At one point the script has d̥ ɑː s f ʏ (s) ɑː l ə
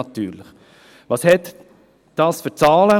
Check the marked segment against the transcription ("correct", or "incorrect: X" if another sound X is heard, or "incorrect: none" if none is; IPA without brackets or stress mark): incorrect: t͡s